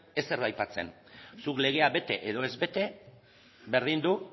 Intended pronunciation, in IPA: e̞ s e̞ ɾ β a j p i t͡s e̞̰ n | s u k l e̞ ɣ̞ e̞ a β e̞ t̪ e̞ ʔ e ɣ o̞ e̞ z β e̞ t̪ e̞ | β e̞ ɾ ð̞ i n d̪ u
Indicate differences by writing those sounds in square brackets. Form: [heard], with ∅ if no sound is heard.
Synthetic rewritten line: e̞ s e̞ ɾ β a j p [a] t͡s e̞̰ n | s u k l e̞ ɣ̞ e̞ a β e̞ t̪ e̞ ʔ e [ð] o̞ e̞ z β e̞ t̪ e̞ | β e̞ ɾ ð̞ i n d̪ u